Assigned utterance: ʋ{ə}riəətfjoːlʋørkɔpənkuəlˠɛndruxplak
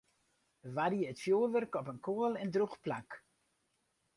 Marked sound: incorrect: a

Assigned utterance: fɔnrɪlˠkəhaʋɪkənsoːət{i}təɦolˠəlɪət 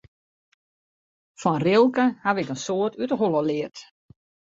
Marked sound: incorrect: y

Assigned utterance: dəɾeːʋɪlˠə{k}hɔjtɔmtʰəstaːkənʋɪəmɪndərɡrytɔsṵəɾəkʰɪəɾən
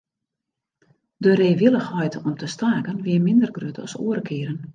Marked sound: incorrect: x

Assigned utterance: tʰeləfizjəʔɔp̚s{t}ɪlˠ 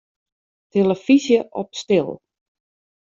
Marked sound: correct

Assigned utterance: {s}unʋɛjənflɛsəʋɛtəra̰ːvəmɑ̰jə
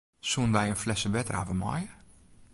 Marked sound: correct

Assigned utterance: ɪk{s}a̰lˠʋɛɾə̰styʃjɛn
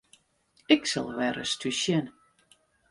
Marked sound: correct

